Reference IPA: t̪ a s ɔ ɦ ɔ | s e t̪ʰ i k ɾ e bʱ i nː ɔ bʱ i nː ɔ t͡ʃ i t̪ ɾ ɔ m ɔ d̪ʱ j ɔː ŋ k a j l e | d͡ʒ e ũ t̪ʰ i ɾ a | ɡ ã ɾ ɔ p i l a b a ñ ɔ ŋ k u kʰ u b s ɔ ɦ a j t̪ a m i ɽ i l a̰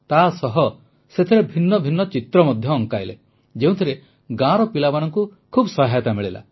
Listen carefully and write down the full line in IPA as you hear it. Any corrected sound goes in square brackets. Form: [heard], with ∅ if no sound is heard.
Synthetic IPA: t̪ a s ɔ ɦ ɔ | s e t̪ʰ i [∅] ɾ e bʱ i nː ɔ bʱ i nː ɔ t͡ʃ i t̪ ɾ ɔ m ɔ d̪ʱ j ɔː ŋ k a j l e | d͡ʒ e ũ t̪ʰ i ɾ [e] | ɡ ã ɾ ɔ p i l a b a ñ ɔ ŋ k u kʰ u b s ɔ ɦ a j t̪ a m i [ɭ] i l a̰